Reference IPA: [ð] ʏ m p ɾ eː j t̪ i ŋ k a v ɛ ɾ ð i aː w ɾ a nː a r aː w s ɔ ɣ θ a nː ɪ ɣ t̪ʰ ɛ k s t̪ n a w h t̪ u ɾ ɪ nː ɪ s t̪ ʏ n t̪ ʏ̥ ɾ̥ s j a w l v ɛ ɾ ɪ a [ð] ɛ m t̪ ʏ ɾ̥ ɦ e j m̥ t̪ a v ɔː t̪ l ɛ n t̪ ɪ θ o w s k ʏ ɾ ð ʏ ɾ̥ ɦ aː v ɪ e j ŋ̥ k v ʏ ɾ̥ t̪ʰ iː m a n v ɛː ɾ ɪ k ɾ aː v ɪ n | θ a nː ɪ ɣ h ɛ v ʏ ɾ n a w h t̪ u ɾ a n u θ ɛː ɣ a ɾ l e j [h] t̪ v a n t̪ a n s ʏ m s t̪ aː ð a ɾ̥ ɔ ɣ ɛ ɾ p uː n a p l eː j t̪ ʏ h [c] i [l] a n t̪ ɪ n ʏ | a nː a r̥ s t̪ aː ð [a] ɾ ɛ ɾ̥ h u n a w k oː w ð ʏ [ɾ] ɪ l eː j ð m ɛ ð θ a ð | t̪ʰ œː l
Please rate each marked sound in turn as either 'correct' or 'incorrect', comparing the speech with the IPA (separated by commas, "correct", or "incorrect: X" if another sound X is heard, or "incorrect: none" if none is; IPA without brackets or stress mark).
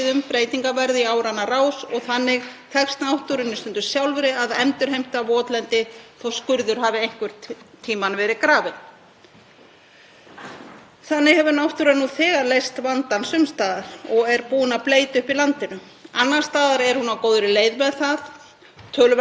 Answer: correct, correct, incorrect: s, incorrect: p, correct, correct, correct